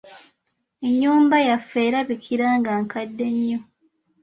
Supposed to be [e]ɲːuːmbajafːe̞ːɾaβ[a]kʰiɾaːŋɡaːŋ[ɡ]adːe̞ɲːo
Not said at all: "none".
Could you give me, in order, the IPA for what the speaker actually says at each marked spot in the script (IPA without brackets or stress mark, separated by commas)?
e, i, k